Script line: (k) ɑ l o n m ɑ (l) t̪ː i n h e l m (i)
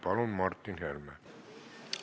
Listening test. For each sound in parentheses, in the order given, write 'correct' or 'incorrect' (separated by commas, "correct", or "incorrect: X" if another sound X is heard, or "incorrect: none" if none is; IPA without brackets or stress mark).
incorrect: p, incorrect: r, incorrect: æ